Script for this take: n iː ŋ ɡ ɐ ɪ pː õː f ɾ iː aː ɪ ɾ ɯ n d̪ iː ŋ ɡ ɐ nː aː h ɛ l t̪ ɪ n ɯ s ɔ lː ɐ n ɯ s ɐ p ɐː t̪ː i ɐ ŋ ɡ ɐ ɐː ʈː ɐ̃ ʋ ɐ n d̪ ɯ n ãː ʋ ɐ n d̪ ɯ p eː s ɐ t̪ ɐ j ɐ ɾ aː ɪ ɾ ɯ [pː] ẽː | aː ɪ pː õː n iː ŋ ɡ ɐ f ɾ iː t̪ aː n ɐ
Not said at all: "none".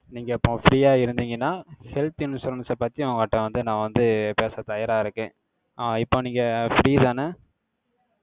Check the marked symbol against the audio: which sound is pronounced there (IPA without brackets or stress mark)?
kː